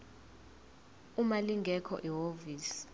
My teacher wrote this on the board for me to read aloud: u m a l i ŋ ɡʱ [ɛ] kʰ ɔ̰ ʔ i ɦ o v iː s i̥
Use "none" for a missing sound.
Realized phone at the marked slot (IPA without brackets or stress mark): ɛ